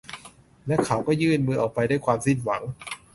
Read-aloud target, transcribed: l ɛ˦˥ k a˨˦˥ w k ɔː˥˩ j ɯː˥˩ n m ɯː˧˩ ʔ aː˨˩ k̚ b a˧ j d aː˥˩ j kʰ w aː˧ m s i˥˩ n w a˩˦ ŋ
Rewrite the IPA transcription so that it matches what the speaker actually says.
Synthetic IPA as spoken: l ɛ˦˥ kʰ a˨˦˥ w k ɔː˥˩ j ɯː˥˩ n m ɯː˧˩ ʔ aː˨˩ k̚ p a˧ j d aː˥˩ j kʰ w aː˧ m s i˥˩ n w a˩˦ ŋ